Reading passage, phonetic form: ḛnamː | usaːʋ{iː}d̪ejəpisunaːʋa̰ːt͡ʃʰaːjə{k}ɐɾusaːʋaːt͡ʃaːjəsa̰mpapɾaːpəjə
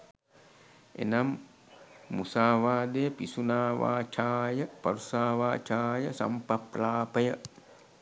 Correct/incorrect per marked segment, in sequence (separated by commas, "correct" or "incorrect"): incorrect, incorrect